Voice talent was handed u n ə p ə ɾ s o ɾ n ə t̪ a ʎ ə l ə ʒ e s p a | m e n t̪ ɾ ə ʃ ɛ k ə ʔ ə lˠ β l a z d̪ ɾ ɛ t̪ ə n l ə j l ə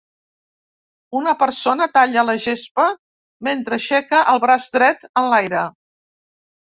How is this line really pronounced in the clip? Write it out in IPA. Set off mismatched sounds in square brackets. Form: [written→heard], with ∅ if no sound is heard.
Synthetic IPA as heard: u n ə p ə ɾ s o [ɾ→∅] n ə t̪ a ʎ ə l ə ʒ e s p [a→ə] | m e n t̪ ɾ ə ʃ ɛ k ə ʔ ə lˠ β [l→ɾ] a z d̪ ɾ ɛ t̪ ə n l [ə→a] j [l→ɾ] ə